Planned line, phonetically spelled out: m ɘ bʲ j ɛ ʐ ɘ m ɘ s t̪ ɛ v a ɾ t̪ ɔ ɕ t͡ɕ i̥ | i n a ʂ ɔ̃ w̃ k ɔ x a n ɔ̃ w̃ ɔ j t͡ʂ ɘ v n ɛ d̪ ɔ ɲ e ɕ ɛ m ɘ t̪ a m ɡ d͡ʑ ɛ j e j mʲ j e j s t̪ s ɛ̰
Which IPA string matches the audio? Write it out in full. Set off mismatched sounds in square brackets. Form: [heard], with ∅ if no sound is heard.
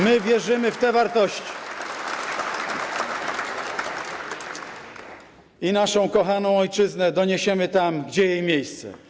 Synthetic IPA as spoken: m ɘ [vʲ] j ɛ ʐ ɘ m ɘ [f] t̪ ɛ v a ɾ t̪ ɔ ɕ t͡ɕ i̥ | i n a ʂ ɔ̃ w̃ k ɔ x a n ɔ̃ w̃ ɔ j t͡ʂ ɘ [z] n ɛ d̪ ɔ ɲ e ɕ ɛ m ɘ t̪ a m ɡ d͡ʑ ɛ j e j mʲ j e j s t̪ s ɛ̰